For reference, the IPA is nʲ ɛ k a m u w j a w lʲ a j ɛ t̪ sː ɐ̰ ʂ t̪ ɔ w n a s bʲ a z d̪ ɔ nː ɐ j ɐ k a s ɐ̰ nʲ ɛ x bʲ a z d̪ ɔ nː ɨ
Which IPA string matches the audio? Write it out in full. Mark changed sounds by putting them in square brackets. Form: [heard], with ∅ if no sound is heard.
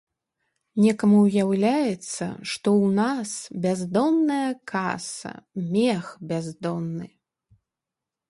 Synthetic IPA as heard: nʲ ɛ k [ɐ] m u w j a w lʲ a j ɛ t̪ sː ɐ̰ ʂ t̪ ɔ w n a s bʲ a z d̪ ɔ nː ɐ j ɐ k a s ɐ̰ [mʲ] ɛ x bʲ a z d̪ ɔ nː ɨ